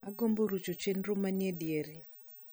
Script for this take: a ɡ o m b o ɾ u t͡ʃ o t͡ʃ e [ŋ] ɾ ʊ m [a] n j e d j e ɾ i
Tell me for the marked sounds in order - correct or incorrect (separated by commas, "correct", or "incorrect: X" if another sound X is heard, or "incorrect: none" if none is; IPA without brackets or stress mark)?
incorrect: n, correct